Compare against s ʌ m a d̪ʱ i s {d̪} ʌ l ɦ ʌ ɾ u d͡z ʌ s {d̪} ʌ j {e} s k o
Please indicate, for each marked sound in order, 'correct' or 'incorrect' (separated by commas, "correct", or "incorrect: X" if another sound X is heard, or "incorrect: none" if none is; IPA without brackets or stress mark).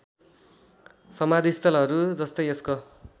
incorrect: t̪, incorrect: t̪, correct